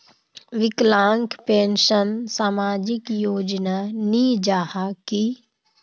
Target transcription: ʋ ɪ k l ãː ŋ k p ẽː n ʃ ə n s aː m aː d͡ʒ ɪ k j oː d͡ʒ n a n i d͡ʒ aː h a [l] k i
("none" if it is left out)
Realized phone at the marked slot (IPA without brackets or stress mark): none